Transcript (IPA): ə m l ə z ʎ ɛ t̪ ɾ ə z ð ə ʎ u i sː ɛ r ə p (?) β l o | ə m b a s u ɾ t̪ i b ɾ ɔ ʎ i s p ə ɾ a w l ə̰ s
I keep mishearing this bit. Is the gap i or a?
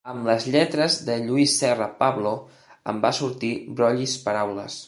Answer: a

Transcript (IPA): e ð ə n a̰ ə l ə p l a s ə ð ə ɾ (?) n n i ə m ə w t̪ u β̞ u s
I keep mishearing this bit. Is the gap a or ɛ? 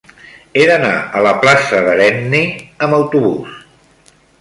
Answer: ɛ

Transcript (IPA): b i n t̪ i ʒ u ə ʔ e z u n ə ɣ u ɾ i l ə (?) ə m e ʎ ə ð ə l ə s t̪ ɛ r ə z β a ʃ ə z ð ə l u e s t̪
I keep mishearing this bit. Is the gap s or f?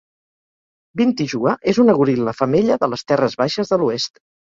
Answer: f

